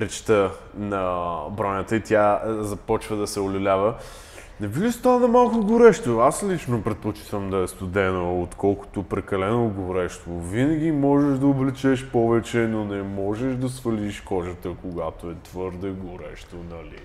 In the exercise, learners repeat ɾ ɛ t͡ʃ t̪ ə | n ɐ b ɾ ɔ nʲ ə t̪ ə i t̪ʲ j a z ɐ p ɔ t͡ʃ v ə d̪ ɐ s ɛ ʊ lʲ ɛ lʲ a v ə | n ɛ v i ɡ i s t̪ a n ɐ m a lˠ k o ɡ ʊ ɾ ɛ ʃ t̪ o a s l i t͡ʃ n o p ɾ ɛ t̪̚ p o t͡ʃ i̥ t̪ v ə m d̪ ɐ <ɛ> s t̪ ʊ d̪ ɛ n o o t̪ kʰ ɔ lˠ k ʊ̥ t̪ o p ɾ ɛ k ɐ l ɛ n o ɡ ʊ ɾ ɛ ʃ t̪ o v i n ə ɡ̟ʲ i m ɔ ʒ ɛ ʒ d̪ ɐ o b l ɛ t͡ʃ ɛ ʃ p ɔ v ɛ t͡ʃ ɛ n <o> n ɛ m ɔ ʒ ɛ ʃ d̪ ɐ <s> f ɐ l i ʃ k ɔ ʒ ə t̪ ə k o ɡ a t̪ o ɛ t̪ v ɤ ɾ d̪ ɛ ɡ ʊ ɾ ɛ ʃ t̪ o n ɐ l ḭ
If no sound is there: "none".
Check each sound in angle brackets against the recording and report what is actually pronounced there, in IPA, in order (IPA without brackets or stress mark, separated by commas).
ɛ, o, s